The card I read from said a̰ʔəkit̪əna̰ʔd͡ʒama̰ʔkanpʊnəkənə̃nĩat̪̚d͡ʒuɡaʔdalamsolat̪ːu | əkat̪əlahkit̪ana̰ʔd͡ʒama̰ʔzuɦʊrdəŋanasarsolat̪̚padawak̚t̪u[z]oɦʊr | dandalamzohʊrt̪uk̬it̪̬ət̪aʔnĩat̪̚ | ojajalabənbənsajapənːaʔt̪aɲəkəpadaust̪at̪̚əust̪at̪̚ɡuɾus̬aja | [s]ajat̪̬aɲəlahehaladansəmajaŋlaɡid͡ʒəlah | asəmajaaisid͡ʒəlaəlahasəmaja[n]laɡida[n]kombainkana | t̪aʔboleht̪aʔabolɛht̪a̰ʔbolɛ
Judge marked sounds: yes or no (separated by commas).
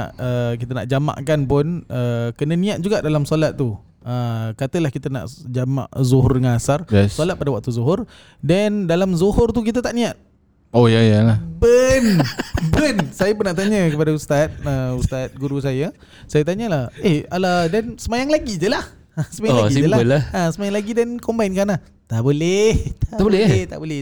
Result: yes, yes, no, yes